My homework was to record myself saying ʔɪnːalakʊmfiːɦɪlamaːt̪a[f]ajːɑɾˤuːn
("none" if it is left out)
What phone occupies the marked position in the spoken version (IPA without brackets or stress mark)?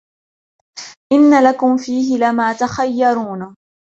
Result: x